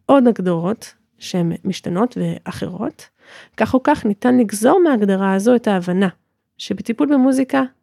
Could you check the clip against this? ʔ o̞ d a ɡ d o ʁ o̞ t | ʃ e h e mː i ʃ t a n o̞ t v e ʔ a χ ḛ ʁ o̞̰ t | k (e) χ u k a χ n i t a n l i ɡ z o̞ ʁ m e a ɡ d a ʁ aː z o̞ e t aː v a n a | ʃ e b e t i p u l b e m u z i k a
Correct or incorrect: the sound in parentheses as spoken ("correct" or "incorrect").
incorrect